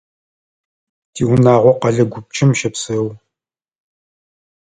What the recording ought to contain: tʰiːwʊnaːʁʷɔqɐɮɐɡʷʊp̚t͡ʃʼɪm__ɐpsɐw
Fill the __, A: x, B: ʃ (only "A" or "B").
B